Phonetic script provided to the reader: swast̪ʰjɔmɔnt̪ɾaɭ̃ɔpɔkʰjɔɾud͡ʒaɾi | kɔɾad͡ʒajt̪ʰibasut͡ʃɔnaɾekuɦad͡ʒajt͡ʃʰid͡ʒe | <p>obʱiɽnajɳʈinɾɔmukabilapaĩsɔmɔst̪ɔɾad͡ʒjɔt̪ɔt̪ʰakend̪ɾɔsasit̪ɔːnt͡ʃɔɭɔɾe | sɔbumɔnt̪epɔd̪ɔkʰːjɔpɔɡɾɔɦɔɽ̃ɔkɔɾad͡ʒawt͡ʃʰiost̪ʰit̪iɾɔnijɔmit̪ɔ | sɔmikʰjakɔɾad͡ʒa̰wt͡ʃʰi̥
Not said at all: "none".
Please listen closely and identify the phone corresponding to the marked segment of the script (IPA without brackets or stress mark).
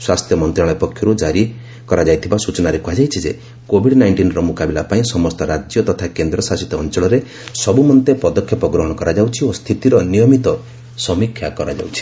k